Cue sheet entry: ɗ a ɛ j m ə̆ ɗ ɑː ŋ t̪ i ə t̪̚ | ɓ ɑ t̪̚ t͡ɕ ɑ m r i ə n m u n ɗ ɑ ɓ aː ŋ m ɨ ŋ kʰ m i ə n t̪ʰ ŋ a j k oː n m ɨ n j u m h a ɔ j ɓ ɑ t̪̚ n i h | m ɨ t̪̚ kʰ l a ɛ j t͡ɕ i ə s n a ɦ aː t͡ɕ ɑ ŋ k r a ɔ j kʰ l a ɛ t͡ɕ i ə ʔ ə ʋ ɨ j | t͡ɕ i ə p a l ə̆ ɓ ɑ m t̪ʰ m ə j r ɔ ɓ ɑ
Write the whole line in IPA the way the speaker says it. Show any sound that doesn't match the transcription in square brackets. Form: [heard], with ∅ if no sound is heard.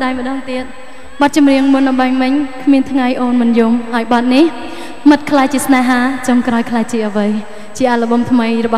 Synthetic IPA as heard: ɗ a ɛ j m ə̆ ɗ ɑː ŋ t̪ i ə t̪̚ | ɓ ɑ t̪̚ t͡ɕ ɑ m r i ə [ŋ] m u n ɗ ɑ ɓ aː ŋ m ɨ [ɲ] kʰ m i ə n t̪ʰ ŋ a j [ʔ] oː n m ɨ n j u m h a ɔ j ɓ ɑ t̪̚ n i h | m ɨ t̪̚ kʰ l a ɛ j t͡ɕ i ə s n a ɦ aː t͡ɕ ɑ ŋ k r a ɔ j kʰ l a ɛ t͡ɕ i ə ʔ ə ʋ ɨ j | t͡ɕ i ə [ʔ] a l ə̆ ɓ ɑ m t̪ʰ m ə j r ɔ ɓ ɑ